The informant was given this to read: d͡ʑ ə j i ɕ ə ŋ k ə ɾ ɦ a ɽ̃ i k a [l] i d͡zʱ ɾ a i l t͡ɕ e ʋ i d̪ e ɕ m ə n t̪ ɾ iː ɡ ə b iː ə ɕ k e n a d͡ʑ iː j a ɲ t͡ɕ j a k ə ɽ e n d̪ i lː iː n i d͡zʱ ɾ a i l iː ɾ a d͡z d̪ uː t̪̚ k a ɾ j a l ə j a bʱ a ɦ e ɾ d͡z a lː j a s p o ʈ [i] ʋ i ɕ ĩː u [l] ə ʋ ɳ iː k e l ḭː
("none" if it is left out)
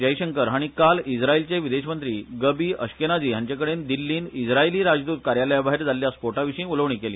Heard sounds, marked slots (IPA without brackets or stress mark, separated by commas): l, a, l